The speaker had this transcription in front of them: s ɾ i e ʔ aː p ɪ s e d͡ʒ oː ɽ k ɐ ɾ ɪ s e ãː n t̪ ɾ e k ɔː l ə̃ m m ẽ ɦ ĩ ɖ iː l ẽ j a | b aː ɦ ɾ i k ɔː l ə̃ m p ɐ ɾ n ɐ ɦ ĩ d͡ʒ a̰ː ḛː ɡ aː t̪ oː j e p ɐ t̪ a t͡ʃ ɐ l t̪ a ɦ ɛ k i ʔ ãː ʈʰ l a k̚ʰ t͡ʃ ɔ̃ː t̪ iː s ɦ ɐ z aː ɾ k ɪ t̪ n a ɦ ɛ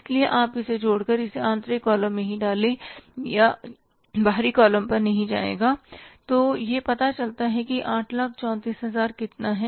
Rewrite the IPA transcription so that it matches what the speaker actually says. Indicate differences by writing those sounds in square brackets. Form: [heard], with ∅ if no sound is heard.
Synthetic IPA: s [l] i e ʔ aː p ɪ s e d͡ʒ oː ɽ k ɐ ɾ ɪ s e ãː n t̪ ɾ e k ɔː l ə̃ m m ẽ ɦ ĩ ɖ [aː] l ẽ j a | b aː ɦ ɾ i k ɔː l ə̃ m p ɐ ɾ n ɐ ɦ ĩ d͡ʒ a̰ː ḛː ɡ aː t̪ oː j e p ɐ t̪ a t͡ʃ ɐ l t̪ a ɦ ɛ k i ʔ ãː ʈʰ l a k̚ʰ t͡ʃ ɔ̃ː t̪ iː s ɦ ɐ z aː ɾ k ɪ t̪ n a ɦ ɛ